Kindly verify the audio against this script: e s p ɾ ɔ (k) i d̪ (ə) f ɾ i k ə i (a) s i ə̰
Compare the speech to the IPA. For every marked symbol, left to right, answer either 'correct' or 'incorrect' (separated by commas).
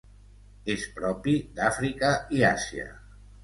incorrect, incorrect, correct